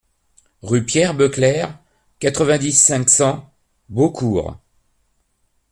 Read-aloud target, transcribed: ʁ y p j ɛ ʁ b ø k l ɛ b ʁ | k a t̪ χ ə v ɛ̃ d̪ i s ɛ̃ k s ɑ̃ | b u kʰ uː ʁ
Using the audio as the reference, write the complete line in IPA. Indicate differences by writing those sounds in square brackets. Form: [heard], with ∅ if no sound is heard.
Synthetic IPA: ʁ y p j ɛ ʁ b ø k l ɛ [∅] ʁ | k a t̪ χ ə v ɛ̃ d̪ i s ɛ̃ k s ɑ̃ | b [o] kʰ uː ʁ